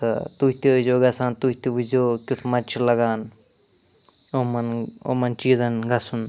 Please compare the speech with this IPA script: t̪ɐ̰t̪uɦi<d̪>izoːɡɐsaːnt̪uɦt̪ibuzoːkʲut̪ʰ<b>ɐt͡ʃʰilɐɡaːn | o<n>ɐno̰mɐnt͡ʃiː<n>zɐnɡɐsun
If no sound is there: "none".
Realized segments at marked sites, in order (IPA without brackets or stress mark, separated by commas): t̪, m, m, none